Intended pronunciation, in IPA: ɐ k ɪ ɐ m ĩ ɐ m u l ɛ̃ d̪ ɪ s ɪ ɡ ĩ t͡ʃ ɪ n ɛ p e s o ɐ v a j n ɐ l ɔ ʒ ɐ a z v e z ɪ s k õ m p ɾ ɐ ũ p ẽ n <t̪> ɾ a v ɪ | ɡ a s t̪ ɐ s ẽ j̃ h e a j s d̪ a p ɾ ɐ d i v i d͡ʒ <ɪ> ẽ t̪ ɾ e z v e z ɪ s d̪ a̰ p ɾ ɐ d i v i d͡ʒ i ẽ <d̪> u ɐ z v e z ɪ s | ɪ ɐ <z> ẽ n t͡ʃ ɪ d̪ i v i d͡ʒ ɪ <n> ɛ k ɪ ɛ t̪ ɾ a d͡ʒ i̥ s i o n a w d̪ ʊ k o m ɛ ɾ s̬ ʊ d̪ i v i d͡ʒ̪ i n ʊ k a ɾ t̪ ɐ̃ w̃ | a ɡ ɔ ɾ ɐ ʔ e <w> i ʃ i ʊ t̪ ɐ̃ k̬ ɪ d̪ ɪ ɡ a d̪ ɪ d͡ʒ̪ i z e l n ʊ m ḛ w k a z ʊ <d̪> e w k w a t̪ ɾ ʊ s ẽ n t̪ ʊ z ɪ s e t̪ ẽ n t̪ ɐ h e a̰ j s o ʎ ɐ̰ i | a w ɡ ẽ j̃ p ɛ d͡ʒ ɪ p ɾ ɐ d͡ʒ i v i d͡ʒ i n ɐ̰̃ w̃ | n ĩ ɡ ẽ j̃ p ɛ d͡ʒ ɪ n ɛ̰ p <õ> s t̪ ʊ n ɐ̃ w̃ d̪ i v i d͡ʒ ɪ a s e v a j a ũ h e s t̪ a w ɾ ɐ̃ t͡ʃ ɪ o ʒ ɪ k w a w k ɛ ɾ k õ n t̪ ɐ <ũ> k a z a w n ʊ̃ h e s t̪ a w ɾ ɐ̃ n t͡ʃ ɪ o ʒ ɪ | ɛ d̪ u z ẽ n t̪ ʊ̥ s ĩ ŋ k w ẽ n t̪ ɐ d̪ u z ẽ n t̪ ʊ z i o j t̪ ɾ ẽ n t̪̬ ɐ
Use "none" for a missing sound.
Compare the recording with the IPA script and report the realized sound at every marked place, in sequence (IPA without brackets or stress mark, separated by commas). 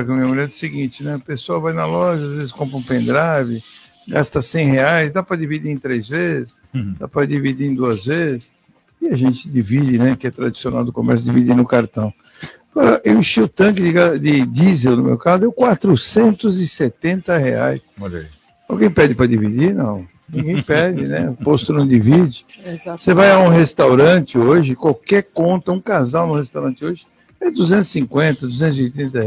d̪, i, d̪, ʒ, n, w, d̪, o, ũ